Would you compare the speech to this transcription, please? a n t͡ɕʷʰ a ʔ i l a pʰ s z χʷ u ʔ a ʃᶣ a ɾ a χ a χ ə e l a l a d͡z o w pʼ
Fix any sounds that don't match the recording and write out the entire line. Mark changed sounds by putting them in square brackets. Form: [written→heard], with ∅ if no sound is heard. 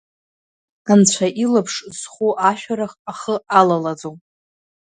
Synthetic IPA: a n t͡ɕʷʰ a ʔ i l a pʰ [s→ʂ] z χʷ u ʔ a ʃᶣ a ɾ a χ a χ ə [e→a] l a l a d͡z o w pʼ